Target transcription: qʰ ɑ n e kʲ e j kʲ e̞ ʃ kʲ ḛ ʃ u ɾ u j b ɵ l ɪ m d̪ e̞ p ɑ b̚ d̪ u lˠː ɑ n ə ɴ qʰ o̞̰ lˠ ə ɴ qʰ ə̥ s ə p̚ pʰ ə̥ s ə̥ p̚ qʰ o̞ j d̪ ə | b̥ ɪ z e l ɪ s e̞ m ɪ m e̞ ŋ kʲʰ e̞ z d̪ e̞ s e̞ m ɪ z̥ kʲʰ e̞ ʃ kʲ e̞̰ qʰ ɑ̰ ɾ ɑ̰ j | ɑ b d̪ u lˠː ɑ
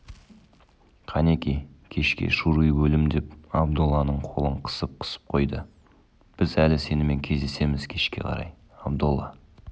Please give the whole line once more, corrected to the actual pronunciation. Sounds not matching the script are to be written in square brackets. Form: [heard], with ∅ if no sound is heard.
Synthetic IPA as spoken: qʰ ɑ n e kʲ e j [kʲʰ] e̞ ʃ kʲ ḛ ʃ u ɾ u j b ɵ l ɪ m d̪ e̞ p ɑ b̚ d̪ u lˠː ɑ n ə ɴ qʰ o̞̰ lˠ ə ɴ qʰ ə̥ s ə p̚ [qʰ] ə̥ s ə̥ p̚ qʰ o̞ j d̪ ə | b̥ ɪ z [æ] l ɪ s e̞ [n] ɪ m e̞ ŋ kʲʰ e̞ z d̪ e̞ s e̞ m ɪ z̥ kʲʰ e̞ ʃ kʲ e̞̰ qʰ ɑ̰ ɾ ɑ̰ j | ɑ b d̪ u lˠː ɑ